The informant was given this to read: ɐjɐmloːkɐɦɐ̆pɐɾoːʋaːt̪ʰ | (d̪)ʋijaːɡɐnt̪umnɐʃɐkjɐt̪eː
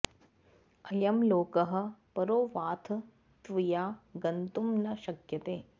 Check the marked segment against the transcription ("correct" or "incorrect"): incorrect